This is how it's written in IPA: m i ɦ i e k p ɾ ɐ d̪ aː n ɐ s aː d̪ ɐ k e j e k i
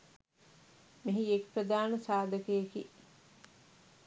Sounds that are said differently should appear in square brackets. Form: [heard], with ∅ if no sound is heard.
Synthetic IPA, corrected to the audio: m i ɦ i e k p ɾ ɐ d̪ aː n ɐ s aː d̪ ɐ k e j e k i